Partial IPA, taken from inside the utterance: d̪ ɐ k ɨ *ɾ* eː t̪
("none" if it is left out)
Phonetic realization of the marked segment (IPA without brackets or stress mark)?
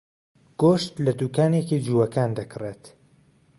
r